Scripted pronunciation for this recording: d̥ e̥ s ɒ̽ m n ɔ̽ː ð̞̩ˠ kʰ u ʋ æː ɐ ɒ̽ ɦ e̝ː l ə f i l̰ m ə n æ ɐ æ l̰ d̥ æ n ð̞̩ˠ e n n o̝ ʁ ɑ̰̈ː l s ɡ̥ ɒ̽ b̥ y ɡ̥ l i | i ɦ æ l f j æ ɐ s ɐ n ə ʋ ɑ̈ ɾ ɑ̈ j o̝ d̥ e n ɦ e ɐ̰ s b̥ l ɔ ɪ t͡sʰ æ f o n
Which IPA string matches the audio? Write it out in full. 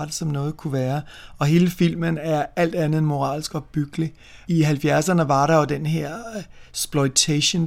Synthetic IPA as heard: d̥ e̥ s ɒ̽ m n ɔ̽ː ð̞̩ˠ kʰ u ʋ æː ɐ ɒ̽ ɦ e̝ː l ə f i l̰ m ə n æ ɐ æ l̰ d̥ æ n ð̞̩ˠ e n m o̝ ʁ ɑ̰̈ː l s ɡ̥ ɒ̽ b̥ y ɡ̥ l i | i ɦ æ l f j æ ɐ s ɐ n ə ʋ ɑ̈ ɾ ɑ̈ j o̝ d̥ e n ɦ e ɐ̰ s b̥ l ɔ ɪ t͡sʰ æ ɕ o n